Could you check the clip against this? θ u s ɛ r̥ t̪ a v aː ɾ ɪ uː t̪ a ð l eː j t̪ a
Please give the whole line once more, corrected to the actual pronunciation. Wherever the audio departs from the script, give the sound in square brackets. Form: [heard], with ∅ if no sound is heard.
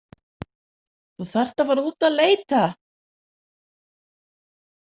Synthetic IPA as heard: θ u [θ] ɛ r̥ t̪ a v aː ɾ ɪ uː t̪ a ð l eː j t̪ a